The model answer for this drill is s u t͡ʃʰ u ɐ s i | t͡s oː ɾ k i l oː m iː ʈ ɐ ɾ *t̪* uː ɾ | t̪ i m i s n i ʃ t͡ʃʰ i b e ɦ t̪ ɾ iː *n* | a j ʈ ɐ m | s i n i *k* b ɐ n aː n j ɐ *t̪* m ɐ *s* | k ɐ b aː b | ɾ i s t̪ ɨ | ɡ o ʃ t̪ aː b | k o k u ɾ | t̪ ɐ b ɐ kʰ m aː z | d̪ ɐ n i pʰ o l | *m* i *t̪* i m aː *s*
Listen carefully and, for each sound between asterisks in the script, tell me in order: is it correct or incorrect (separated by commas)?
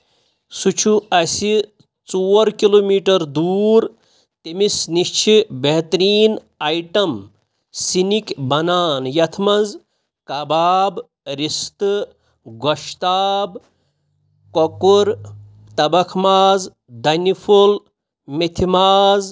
incorrect, correct, correct, incorrect, incorrect, correct, incorrect, incorrect